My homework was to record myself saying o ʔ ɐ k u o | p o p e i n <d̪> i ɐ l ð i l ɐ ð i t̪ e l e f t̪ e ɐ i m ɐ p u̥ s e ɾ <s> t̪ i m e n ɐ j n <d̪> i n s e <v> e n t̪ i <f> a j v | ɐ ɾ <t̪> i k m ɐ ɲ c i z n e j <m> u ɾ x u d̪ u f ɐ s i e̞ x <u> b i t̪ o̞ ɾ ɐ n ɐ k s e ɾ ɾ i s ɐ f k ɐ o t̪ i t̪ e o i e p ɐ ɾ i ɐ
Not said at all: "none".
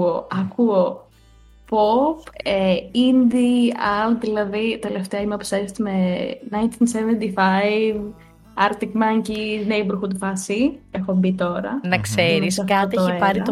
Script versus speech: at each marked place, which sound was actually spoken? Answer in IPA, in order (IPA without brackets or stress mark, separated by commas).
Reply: d̪, s, t̪, v, f, t̪, b, o